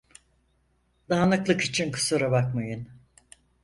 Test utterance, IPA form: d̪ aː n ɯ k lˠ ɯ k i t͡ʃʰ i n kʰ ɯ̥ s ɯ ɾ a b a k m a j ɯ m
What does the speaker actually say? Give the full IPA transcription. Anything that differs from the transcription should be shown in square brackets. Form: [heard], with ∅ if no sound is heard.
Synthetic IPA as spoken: d̪ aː n ɯ k lˠ ɯ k i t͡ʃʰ i n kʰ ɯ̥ s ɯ ɾ a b a k m a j ɯ [n]